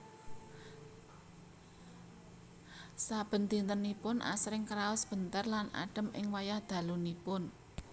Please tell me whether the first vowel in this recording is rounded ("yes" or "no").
no